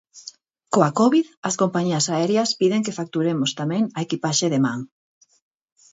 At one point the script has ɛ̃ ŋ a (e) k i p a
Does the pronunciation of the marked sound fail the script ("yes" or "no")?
no